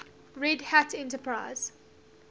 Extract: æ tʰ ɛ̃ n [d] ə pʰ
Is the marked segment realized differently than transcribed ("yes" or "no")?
yes